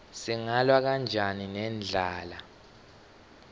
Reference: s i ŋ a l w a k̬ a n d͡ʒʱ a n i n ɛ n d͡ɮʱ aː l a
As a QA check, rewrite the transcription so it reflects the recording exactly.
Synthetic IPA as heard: s i ŋ a l w a k̬ a n d͡ʒʱ a n i n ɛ n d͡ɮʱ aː l a